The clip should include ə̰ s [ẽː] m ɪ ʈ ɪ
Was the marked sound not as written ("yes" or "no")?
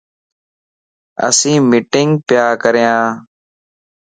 yes